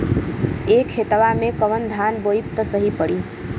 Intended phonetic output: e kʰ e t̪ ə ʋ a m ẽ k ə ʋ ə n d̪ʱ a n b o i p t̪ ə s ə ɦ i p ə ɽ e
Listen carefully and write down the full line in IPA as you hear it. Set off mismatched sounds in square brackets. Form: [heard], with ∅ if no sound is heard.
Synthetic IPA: e kʰ e t̪ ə ʋ a m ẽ k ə ʋ ə n d̪ʱ a n b o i p t̪ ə s ə ɦ i p ə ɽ [i]